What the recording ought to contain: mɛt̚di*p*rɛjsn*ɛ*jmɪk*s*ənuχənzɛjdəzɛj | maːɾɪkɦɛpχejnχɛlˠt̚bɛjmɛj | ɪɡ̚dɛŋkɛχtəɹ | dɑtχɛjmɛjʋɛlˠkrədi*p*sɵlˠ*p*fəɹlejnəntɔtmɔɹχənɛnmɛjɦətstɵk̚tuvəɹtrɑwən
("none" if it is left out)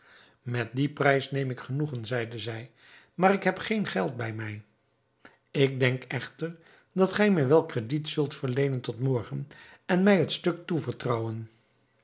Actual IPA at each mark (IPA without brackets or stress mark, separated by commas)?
p, e, χ, t, t